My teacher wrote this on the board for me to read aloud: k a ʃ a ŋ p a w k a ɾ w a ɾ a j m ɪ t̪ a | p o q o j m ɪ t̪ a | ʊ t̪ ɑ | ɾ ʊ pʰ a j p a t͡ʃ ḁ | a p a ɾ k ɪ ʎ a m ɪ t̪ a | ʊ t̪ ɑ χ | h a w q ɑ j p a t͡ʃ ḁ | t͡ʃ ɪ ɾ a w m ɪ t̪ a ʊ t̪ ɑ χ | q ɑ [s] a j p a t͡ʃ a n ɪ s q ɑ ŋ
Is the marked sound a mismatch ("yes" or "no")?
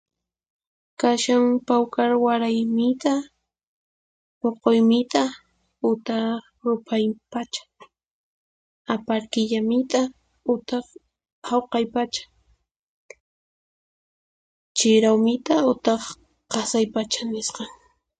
no